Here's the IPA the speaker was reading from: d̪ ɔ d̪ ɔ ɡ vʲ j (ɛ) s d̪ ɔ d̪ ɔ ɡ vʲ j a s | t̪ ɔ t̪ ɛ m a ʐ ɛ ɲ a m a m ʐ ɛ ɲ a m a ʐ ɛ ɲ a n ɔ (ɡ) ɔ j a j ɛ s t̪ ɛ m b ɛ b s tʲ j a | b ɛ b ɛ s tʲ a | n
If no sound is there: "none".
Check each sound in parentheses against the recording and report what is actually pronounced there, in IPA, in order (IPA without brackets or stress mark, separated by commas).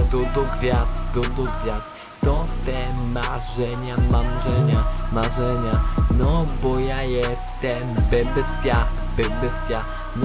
a, b